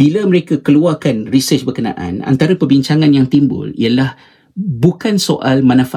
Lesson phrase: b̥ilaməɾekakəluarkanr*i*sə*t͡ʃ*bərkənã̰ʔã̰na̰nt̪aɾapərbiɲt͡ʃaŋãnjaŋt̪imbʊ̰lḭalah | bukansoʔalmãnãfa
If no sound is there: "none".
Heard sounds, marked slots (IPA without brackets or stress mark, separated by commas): i, t͡ʃ